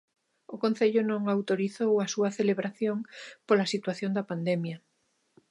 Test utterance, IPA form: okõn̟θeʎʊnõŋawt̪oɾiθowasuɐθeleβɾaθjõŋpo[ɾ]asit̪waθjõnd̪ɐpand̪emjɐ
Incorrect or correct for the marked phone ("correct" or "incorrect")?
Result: incorrect